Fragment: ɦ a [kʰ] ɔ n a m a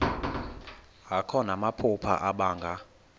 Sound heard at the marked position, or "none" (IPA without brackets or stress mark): kʰ